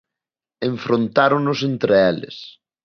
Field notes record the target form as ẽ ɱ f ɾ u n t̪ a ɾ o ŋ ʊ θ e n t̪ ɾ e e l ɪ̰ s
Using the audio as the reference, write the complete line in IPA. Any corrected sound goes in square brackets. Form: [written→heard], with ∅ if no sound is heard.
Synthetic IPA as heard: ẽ ɱ f ɾ [u→o] n t̪ a ɾ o [ŋ→n] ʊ [θ→s] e n t̪ ɾ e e l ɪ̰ s